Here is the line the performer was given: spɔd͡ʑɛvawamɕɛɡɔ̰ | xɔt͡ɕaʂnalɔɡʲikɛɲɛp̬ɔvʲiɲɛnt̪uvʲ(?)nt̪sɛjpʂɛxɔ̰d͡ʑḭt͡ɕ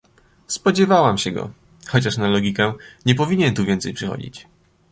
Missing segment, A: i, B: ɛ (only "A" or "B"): B